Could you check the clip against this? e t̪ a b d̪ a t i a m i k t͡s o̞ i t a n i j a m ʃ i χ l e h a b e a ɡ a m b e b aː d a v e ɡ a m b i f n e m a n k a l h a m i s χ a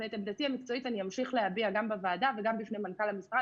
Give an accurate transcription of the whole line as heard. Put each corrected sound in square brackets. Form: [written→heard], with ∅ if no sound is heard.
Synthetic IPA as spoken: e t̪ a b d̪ a t i a m i k t͡s o̞ i t a n i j a m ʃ i χ l e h a b [e→i] a ɡ a m b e [b→v] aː d a v e ɡ a m b i f n e m a n k a l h a m i s [χ→ʁ] a